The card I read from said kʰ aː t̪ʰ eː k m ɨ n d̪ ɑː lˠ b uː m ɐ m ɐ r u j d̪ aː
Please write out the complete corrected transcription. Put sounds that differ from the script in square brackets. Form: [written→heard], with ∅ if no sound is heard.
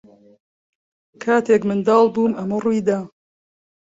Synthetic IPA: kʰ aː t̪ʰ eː k m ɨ n d̪ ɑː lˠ b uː m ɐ m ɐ r u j d̪ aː